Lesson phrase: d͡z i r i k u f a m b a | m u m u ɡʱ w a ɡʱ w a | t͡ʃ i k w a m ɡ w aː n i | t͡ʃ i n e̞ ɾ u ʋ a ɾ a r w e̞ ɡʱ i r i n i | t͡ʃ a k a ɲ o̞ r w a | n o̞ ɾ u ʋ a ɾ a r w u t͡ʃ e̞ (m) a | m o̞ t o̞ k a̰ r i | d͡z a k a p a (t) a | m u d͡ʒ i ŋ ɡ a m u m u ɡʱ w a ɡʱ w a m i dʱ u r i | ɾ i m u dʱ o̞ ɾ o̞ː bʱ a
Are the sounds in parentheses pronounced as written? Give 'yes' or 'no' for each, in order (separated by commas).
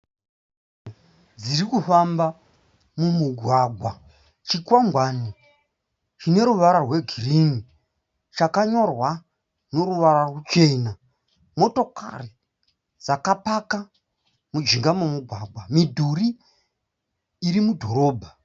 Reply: no, no